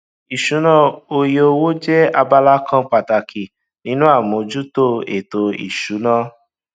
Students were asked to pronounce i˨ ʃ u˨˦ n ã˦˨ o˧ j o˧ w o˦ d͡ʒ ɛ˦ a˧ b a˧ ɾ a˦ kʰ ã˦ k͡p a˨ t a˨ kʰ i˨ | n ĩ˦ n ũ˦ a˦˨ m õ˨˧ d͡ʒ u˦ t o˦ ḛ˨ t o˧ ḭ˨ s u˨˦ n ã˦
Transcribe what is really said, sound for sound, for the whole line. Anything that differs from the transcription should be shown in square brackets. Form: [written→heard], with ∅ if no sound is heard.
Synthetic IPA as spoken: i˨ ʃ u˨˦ n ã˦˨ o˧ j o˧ w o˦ d͡ʒ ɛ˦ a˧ b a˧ [ɾ→l] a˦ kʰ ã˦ k͡p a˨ t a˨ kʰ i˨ | n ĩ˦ n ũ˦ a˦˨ m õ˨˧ d͡ʒ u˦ t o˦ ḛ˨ t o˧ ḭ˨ [s→ʃ] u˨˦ n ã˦